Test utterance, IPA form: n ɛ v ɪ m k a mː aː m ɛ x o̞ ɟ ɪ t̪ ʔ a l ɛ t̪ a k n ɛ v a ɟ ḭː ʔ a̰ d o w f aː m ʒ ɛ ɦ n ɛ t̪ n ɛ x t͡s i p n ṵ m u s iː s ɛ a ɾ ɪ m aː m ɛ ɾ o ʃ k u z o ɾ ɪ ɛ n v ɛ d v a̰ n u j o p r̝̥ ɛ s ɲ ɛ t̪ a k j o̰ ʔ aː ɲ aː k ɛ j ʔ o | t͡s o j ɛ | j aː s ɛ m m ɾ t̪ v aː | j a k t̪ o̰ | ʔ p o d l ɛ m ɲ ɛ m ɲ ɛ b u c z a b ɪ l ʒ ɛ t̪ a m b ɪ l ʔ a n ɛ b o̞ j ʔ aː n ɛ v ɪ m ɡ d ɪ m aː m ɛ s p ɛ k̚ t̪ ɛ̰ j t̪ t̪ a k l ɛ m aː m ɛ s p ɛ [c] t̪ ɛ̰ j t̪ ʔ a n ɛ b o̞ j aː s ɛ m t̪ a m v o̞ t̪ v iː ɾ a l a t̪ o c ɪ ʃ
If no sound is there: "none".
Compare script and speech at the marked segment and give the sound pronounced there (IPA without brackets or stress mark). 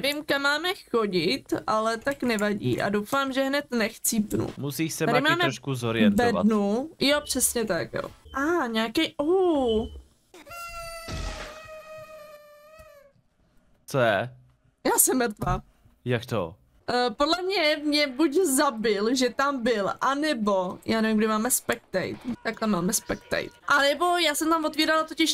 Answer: k